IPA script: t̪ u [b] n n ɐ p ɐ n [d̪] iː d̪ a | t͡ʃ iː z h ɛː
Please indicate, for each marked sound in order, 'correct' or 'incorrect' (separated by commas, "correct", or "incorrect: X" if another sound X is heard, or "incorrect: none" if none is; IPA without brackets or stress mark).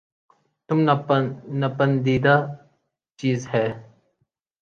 incorrect: m, correct